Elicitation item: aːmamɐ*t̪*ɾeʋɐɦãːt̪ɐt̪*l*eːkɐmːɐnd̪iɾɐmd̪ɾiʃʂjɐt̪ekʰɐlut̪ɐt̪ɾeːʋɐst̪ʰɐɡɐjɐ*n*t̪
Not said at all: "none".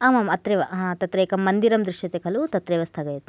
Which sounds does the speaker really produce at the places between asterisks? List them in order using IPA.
t̪, ɾ, none

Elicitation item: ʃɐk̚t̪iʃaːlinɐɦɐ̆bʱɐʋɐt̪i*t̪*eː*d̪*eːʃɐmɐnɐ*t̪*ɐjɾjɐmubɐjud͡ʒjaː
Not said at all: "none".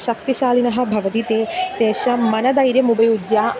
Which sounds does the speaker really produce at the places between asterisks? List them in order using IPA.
t̪, t̪, d̪

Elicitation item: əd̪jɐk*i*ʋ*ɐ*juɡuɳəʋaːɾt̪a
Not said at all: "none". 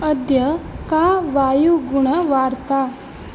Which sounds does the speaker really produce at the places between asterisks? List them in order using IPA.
a, a

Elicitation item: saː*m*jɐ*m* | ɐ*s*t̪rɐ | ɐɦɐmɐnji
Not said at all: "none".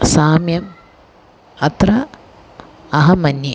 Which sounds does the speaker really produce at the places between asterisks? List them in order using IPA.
m, m, none

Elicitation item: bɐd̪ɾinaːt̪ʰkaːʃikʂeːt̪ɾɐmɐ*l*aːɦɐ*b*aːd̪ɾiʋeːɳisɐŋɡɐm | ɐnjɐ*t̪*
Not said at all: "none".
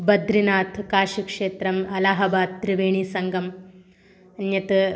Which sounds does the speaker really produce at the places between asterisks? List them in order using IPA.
l, b, t̪

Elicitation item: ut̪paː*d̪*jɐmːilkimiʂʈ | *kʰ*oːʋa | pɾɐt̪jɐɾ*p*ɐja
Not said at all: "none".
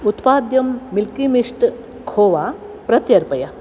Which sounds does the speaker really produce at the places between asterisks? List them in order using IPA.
d̪, kʰ, p

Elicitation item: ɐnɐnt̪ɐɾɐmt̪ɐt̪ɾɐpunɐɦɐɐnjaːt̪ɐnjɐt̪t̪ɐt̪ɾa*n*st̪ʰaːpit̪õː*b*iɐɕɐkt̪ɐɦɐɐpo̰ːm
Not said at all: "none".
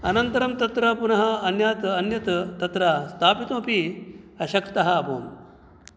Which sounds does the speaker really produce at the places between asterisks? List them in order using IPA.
none, p

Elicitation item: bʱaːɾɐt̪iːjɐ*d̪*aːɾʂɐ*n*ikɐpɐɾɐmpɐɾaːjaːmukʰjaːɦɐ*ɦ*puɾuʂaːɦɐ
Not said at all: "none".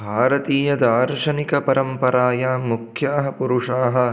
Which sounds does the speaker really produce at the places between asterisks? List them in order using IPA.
d̪, n, none

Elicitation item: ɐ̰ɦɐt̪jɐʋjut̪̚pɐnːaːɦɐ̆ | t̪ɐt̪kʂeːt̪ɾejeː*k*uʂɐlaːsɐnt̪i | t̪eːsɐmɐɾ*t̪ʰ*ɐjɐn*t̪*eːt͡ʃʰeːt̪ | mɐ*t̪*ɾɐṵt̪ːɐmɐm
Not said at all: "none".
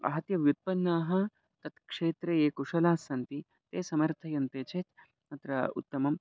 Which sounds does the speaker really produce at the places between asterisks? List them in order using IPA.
k, t̪ʰ, t̪, t̪

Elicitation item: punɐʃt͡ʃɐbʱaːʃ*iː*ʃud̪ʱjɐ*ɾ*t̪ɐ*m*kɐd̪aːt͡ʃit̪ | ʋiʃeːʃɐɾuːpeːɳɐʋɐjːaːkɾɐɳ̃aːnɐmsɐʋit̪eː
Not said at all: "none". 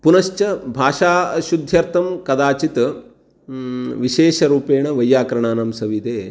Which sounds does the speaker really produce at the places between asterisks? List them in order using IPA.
aː, ɾ, m

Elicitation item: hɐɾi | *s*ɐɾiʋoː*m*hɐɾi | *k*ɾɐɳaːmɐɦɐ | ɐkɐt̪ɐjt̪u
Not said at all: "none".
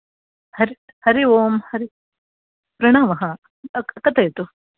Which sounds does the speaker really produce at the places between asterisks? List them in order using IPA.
h, m, p

